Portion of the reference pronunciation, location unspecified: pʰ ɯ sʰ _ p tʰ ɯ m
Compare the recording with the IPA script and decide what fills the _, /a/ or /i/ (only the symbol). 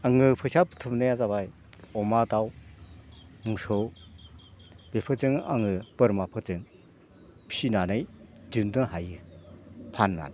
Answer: a